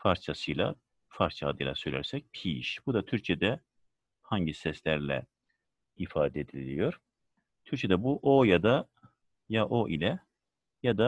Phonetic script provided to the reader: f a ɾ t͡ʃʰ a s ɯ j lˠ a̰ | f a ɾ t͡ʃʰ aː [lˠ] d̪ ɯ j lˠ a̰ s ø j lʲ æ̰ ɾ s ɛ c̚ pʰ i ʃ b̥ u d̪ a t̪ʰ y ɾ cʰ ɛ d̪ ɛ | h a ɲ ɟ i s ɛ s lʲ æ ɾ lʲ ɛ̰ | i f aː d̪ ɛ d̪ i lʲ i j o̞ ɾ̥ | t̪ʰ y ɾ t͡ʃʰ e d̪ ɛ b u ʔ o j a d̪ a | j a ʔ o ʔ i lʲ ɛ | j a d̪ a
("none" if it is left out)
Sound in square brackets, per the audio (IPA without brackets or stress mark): none